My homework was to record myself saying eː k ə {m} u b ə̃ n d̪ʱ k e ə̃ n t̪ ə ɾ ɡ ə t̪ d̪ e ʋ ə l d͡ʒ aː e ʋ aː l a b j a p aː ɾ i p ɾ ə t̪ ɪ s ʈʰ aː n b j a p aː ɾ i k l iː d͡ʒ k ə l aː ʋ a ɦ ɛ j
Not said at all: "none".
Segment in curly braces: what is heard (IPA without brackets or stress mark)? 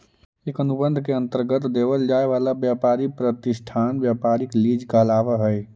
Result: n